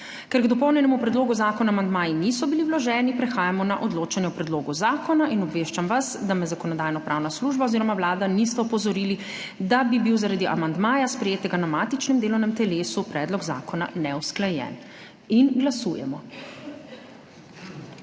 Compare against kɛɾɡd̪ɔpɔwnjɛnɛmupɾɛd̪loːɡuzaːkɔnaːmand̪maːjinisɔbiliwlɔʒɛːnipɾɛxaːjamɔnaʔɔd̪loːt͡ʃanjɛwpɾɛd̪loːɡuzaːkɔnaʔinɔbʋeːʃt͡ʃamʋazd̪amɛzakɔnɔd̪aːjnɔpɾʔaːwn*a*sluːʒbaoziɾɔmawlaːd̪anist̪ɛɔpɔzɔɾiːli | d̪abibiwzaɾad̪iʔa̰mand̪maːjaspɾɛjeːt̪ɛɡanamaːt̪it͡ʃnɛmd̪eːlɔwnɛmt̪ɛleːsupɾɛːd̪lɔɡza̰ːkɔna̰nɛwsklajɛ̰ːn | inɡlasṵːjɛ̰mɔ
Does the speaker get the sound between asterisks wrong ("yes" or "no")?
no